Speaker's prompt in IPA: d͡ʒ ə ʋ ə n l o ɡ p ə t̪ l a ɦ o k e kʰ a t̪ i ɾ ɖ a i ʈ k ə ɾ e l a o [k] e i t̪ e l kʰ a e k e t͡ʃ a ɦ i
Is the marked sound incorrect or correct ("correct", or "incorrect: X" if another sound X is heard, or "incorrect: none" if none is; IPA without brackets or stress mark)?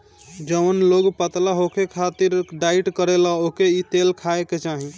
correct